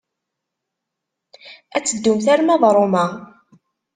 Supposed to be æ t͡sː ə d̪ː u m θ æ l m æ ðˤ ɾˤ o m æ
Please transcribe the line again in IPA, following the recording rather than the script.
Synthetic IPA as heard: æ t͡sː ə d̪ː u m θ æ ɾ m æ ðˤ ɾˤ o m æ